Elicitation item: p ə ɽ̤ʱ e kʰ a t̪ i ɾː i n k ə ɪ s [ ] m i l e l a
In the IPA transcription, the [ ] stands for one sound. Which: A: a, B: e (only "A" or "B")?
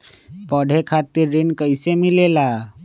B